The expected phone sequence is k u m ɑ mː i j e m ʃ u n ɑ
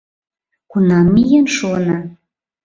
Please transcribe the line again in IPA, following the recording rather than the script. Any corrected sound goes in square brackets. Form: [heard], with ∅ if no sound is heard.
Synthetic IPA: k u [n] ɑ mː i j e [n] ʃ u n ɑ